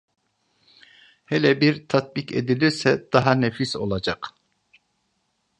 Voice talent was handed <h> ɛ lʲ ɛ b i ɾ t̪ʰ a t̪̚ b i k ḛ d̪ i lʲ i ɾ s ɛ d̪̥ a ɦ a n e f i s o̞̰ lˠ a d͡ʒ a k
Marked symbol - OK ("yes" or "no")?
yes